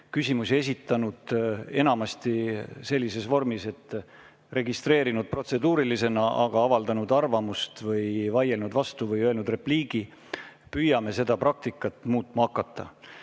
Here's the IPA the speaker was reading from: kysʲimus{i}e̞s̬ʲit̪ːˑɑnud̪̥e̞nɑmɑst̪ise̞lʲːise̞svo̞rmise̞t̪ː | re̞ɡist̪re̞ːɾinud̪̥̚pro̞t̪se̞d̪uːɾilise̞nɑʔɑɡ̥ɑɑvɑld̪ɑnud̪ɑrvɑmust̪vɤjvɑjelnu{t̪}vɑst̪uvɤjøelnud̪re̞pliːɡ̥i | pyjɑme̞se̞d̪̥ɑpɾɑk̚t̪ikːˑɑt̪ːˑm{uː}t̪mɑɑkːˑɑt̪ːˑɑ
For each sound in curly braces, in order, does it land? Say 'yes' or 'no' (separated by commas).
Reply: yes, no, yes